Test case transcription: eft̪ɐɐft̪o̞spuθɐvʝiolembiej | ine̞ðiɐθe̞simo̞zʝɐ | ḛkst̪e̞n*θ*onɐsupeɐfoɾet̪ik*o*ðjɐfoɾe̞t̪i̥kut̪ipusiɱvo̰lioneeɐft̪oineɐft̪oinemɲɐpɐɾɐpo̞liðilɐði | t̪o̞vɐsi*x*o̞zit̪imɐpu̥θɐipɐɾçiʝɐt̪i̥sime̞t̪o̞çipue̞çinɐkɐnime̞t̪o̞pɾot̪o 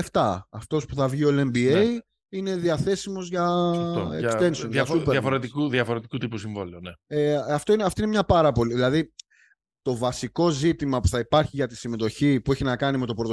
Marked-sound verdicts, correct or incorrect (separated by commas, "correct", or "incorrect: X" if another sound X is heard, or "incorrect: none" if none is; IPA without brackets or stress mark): incorrect: s, incorrect: u, incorrect: k